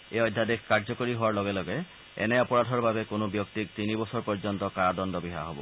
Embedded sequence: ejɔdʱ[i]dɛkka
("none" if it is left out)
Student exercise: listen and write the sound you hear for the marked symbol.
a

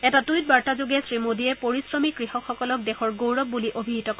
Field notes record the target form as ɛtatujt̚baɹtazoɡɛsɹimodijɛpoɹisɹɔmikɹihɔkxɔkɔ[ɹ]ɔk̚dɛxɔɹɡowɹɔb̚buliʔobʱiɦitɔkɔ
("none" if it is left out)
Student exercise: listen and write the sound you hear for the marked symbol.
l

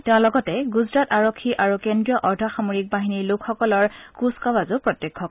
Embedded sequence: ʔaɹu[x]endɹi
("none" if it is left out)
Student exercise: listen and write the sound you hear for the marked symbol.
k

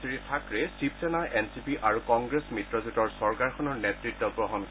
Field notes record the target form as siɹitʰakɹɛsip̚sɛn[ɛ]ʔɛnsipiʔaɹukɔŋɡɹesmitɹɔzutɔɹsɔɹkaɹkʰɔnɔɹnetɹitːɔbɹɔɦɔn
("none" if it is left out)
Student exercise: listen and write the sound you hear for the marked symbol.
a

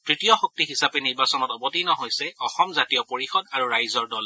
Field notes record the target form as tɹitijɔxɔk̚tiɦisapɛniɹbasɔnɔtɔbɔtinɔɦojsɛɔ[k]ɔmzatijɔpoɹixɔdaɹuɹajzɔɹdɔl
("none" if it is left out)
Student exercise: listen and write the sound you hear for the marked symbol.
x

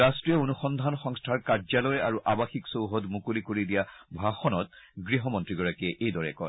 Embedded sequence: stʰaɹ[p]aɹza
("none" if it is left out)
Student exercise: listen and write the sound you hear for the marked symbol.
k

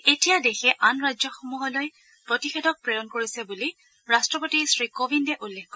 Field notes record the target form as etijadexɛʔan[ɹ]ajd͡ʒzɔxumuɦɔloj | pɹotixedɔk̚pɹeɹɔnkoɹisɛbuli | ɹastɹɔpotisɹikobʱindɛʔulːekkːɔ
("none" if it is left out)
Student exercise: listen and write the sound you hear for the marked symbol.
ɹ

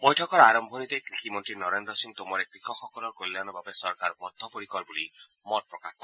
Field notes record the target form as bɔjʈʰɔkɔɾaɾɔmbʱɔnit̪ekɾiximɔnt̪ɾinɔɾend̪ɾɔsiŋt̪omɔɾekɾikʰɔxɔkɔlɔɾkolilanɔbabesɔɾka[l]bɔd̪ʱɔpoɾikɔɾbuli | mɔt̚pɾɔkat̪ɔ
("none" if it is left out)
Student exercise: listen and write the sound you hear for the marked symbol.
ɾ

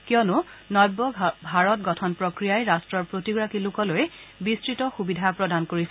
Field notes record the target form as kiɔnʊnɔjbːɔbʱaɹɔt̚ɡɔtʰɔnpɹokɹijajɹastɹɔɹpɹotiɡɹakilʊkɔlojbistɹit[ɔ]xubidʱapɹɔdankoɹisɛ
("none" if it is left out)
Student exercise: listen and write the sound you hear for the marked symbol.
ɔ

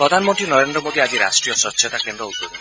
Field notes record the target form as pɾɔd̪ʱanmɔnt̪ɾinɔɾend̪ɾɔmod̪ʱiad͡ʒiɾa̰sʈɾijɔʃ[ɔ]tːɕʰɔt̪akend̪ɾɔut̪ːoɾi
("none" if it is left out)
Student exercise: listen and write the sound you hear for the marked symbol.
ɔ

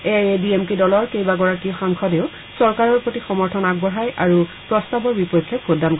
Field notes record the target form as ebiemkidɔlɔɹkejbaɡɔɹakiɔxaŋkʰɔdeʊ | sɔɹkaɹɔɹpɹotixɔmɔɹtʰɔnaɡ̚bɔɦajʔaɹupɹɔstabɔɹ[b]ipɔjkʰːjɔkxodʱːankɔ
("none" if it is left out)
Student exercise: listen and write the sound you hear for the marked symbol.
b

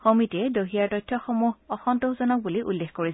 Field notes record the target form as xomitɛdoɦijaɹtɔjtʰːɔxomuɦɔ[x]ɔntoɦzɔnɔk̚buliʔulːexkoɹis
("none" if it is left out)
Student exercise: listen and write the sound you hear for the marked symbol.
x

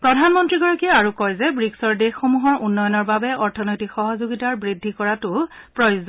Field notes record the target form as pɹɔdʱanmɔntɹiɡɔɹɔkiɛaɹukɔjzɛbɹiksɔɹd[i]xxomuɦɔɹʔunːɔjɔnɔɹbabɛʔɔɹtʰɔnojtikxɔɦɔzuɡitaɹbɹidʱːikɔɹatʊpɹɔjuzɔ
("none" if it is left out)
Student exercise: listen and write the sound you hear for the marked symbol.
e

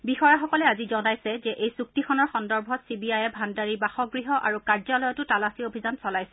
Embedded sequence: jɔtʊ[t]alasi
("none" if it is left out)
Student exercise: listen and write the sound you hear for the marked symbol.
t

